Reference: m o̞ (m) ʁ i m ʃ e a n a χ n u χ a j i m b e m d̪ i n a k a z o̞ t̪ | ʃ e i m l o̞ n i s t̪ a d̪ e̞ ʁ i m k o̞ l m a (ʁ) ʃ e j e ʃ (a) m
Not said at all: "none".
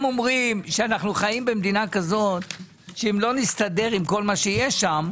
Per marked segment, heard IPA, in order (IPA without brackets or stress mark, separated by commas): m, none, a